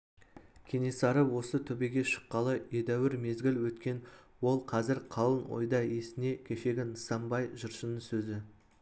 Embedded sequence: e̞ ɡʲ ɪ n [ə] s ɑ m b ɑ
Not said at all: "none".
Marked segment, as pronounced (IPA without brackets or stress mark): ə